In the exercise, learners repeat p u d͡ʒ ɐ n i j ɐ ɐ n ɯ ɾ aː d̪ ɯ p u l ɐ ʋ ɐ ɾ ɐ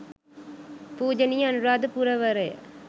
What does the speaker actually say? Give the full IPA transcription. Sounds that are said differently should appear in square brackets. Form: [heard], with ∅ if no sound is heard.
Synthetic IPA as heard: p [uː] d͡ʒ ɐ n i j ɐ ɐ n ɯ ɾ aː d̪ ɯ p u [ɾ] ɐ ʋ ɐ ɾ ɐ